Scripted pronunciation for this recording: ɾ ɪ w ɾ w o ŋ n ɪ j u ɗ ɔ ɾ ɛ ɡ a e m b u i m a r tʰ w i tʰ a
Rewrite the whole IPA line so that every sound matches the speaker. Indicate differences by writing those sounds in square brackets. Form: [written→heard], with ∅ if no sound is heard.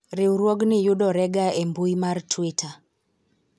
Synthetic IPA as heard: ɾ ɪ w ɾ w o [ŋ→ɡ] n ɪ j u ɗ ɔ ɾ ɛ ɡ a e m b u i m a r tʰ w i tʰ a